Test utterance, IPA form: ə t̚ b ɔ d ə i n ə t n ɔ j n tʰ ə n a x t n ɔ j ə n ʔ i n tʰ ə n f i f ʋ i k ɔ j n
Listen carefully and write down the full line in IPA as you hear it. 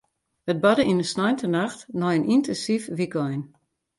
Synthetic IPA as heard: ə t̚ b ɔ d ə i n ə s n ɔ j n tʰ ə n a x t n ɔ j ə n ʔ i n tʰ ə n s i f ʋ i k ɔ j n